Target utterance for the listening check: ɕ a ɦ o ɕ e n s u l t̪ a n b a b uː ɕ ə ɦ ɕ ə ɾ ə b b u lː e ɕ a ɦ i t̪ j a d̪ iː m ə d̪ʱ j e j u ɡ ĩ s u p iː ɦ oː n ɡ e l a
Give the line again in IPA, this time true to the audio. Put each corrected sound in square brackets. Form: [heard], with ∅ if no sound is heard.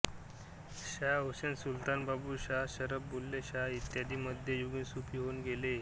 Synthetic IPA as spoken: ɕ a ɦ o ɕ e n s u l t̪ a n b a b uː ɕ [a] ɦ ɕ ə ɾ ə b b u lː e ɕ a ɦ i t̪ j a d̪ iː m ə d̪ʱ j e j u ɡ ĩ s u p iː ɦ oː n ɡ e l [e]

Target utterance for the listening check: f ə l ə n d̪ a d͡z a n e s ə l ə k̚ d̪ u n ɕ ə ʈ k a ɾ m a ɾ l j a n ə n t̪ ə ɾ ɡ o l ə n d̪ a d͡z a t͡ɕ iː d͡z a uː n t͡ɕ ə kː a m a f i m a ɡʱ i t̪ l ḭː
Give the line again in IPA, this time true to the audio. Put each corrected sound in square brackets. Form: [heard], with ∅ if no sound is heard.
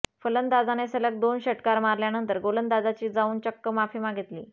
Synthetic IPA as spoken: f ə l ə n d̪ a d͡z a n e s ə l ə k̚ d̪ [o] n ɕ ə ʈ k a ɾ m a ɾ l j a n ə n t̪ ə ɾ ɡ o l ə n d̪ a d͡z a t͡ɕ iː d͡z a uː n t͡ɕ ə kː [ə] m a f i m a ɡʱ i t̪ l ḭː

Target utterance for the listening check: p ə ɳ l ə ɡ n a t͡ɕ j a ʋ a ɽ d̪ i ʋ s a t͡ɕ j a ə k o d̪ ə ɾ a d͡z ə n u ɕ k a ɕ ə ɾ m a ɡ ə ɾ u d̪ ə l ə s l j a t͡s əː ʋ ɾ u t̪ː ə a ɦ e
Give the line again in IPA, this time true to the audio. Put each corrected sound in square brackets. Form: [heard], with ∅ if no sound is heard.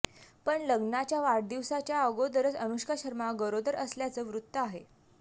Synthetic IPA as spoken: p ə ɳ l ə ɡ n a t͡ɕ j a ʋ a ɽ d̪ i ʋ s a t͡ɕ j a ə [ɡ] o d̪ ə ɾ [ə] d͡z ə n u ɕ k a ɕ ə ɾ m a ɡ ə ɾ [o] d̪ ə [ɾ] ə s l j a t͡s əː ʋ ɾ u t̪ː ə a ɦ e

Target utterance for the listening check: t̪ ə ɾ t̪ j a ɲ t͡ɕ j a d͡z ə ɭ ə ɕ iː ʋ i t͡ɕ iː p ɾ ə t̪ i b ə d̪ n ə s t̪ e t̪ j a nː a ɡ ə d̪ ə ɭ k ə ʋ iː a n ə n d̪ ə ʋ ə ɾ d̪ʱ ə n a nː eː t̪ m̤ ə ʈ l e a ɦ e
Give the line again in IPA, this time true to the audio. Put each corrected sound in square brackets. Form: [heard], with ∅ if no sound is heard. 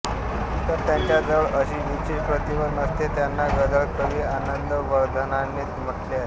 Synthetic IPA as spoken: t̪ ə ɾ t̪ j a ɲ t͡ɕ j a d͡z ə ɭ ə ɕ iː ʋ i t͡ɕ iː p ɾ ə t̪ i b ə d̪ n ə s t̪ e t̪ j a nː a ɡ ə d̪ ə ɭ k ə ʋ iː a n ə n d̪ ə ʋ ə ɾ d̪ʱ ə n a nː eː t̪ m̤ ə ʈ l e a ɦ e

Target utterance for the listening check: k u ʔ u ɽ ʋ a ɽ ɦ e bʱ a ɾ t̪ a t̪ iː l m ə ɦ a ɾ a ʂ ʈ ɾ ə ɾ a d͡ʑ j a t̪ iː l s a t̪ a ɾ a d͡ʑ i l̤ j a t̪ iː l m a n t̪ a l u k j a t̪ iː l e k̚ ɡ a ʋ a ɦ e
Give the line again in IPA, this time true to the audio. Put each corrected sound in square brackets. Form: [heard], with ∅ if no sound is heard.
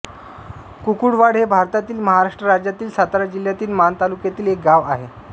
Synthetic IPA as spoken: k u [k] u ɽ ʋ a ɽ ɦ e bʱ a ɾ t̪ a t̪ iː l m ə ɦ a ɾ a ʂ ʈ ɾ ə ɾ a d͡ʑ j a t̪ iː l s a t̪ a ɾ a d͡ʑ i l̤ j a t̪ iː l m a n t̪ a l u k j a t̪ iː l e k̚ ɡ a ʋ a ɦ e

